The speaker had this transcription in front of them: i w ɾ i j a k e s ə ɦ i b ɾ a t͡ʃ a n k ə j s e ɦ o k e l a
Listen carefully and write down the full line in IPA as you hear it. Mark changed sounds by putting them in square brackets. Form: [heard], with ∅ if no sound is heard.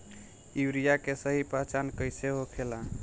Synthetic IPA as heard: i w ɾ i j a k e s ə ɦ i [p] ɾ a t͡ʃ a n k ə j s e ɦ o [kʰ] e l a